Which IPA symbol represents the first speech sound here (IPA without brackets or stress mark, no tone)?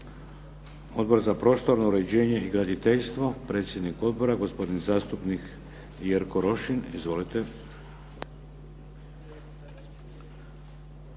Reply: o̞